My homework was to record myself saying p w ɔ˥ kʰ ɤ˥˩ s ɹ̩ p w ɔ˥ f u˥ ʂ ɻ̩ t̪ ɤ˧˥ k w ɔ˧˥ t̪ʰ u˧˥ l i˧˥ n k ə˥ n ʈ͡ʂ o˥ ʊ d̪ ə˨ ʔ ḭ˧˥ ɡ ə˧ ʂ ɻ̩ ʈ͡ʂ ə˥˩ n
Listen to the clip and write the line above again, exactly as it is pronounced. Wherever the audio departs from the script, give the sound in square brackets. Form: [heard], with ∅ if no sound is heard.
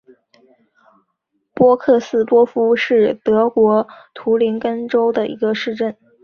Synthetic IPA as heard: p w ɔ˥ kʰ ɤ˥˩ s ɹ̩ p w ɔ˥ f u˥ ʂ ɻ̩ t̪ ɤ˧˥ k w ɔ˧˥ t̪ʰ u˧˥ l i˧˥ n k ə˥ n ʈ͡ʂ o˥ ʊ d̪ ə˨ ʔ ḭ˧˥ ɡ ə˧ ʂ ɻ̩ ʈ͡ʂ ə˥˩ n